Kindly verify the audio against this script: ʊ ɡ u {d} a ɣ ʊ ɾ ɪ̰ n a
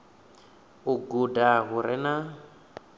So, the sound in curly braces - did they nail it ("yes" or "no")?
yes